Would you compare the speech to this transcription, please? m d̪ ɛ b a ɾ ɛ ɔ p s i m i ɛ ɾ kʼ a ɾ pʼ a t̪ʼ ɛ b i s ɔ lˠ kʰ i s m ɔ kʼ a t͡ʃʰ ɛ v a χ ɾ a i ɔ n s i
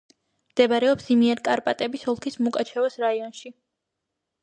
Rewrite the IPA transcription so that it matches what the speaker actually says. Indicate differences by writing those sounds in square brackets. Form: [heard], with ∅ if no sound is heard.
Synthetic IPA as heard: m d̪ ɛ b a ɾ ɛ ɔ p s i m i ɛ ɾ kʼ a ɾ pʼ a t̪ʼ ɛ b i s ɔ lˠ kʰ i s m [u] kʼ a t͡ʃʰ ɛ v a [s] ɾ a i ɔ n [ʃ] i

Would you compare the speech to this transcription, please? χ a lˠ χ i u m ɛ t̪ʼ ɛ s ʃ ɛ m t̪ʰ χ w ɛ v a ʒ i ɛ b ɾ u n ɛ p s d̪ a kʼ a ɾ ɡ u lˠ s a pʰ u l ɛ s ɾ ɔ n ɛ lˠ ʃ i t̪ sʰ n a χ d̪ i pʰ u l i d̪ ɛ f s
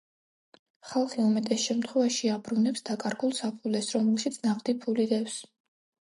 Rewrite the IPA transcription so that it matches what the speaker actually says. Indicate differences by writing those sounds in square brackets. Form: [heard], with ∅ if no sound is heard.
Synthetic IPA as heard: χ a lˠ χ i u m ɛ t̪ʼ ɛ s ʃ ɛ m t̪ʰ χ w ɛ v a [ʃ] i [a] b ɾ u n ɛ p s d̪ a kʼ a ɾ ɡ u lˠ s a pʰ u l ɛ s ɾ ɔ [m] ɛ lˠ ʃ i t̪ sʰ n a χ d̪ i pʰ u l i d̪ ɛ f s

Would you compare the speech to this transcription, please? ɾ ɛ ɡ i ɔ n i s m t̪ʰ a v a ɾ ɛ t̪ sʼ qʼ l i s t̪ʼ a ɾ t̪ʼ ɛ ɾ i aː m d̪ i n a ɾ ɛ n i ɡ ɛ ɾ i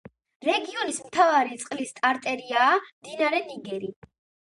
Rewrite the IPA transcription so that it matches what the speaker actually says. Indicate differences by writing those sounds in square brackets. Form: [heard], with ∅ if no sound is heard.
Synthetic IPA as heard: ɾ ɛ ɡ i ɔ n i s m t̪ʰ a v a ɾ [i] t̪ sʼ qʼ l i s t̪ʼ a ɾ t̪ʼ ɛ ɾ i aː m d̪ i n a ɾ ɛ n i ɡ ɛ ɾ i

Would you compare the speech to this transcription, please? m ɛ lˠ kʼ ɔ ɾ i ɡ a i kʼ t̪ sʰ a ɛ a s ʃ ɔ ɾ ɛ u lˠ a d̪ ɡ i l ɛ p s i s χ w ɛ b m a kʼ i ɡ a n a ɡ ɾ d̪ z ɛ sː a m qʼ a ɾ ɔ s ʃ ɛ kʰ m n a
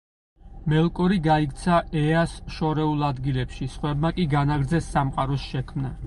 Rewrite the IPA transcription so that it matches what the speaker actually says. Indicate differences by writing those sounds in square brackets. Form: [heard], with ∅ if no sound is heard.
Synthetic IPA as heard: m ɛ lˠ kʼ ɔ ɾ i ɡ a i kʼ t̪ sʰ a ɛ a s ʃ ɔ ɾ ɛ u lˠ a d̪ ɡ i l ɛ p [ʃ] i s χ w ɛ b m a kʼ i ɡ a n a ɡ ɾ d̪ z ɛ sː a m qʼ a ɾ ɔ s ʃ ɛ kʰ m n a

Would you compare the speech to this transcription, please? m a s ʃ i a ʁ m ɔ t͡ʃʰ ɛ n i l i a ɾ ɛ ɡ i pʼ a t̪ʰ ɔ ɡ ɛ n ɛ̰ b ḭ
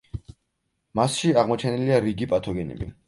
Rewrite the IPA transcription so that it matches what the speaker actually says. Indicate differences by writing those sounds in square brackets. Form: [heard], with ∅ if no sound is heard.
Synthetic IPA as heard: m a s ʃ i a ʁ m ɔ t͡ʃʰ ɛ n i l i a ɾ [i] ɡ i pʼ a t̪ʰ ɔ ɡ ɛ n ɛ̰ b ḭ

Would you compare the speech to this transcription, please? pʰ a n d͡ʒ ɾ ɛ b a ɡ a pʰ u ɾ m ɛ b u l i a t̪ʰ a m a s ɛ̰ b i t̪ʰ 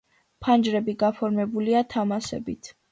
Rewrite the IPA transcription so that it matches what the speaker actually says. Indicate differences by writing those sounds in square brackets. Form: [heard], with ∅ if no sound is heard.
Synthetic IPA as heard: pʰ a n d͡ʒ ɾ ɛ b [i] ɡ a pʰ [ɔ] ɾ m ɛ b u l i a t̪ʰ a m a s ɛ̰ b i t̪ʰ

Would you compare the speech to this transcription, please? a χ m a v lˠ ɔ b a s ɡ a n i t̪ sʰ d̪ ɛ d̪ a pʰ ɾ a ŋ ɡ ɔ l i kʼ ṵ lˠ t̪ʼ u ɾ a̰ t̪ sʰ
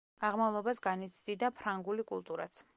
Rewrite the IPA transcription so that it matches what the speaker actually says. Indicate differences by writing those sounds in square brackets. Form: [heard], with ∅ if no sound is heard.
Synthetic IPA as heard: a [ʁ] m a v lˠ ɔ b a s ɡ a n i t̪ sʰ d̪ [i] d̪ a pʰ ɾ a ŋ ɡ [u] l i kʼ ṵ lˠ t̪ʼ u ɾ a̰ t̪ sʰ

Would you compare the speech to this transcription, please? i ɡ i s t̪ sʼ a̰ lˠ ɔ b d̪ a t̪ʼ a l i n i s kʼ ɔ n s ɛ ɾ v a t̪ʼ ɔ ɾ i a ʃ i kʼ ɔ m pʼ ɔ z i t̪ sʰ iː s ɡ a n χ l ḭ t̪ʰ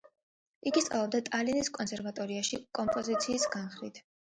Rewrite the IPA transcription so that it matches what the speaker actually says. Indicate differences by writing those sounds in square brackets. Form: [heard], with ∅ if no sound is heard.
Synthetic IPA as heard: i ɡ i s t̪ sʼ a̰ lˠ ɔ b d̪ a t̪ʼ a l i n i s kʼ ɔ n s ɛ ɾ v a t̪ʼ ɔ ɾ i a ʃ i kʼ ɔ m pʼ ɔ z i t̪ sʰ iː s ɡ a n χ [ɾ] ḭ t̪ʰ

